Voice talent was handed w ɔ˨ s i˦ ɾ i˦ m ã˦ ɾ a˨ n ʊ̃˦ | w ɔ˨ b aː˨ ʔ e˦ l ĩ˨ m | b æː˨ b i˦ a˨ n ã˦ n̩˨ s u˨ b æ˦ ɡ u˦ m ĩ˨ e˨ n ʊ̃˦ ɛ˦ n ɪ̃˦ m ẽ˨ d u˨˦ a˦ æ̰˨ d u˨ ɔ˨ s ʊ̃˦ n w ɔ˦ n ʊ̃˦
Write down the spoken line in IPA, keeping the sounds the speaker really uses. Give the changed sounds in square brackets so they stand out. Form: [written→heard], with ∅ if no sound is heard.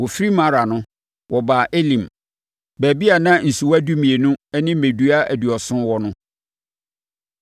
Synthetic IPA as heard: w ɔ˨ [s→f] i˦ ɾ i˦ m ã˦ ɾ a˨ n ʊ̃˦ | w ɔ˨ b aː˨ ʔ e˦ l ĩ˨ m | b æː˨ b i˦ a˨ n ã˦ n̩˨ s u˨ [b→w] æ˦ [ɡ→d] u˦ m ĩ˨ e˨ n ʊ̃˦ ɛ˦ n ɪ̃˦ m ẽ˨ d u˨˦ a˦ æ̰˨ d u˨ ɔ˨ s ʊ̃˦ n w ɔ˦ n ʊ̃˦